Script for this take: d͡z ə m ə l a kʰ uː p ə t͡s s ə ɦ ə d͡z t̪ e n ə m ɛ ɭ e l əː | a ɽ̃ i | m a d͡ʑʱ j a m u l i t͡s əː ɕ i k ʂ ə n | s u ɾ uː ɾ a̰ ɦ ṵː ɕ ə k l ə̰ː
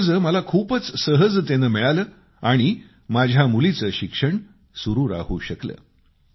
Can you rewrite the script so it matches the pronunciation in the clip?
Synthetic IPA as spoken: d͡z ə m ə l a kʰ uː p ə t͡s s ə ɦ ə d͡z t̪ e n ə m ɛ ɭ a l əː | a ɽ̃ i | m a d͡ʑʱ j a m u l i t͡s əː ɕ i k ʂ ə ɳ | s u ɾ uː ɾ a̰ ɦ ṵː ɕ ə k l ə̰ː